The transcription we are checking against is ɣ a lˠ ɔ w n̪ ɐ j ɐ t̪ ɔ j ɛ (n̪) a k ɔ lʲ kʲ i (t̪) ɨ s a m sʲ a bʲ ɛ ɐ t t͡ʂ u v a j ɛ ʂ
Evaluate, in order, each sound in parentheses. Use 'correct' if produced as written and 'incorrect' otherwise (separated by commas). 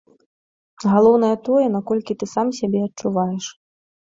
correct, correct